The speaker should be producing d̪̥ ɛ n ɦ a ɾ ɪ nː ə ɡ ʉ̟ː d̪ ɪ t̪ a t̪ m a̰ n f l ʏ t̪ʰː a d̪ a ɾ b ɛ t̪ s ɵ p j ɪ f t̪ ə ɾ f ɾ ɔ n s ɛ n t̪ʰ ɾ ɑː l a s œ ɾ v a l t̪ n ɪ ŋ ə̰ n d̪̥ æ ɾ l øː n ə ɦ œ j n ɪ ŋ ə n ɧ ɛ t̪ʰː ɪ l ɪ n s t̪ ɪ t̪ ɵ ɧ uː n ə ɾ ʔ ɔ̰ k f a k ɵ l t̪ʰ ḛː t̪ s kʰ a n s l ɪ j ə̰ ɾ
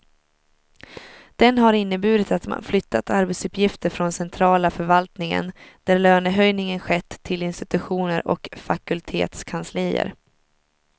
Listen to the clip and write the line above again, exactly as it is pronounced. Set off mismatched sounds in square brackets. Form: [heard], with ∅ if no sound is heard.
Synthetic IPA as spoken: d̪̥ ɛ n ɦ a ɾ ɪ nː ə [b] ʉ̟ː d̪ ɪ t̪ a t̪ m a̰ n f l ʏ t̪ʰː a [t̪] a ɾ b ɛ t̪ s ɵ p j ɪ f t̪ ə ɾ f ɾ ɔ n s ɛ n t̪ʰ ɾ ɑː l a [f] œ ɾ v a l t̪ n ɪ ŋ ə̰ n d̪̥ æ ɾ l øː n ə ɦ œ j n ɪ ŋ ə n ɧ ɛ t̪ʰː ɪ l ɪ n s t̪ ɪ t̪ ɵ ɧ uː n ə ɾ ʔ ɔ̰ k f a k ɵ l t̪ʰ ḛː t̪ s kʰ a n s l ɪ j ə̰ ɾ